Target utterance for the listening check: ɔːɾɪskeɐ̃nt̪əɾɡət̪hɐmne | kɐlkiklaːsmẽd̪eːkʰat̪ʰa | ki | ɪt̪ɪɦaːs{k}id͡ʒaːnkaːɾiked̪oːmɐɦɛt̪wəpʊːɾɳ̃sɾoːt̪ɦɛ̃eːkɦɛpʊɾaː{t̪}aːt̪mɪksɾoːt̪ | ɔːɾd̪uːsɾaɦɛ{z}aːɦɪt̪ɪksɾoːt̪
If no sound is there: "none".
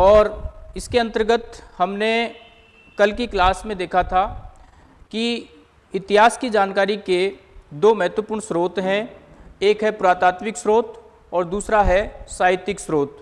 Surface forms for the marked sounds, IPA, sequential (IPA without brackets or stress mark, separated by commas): k, t̪, s